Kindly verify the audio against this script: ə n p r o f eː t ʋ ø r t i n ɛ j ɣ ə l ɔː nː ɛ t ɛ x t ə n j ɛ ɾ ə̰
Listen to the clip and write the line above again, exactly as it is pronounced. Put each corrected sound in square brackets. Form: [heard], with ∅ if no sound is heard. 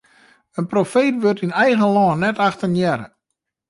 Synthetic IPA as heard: ə n p r o f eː t ʋ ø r t i n ɛ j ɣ ə l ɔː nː ɛ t [a] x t ə n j ɛ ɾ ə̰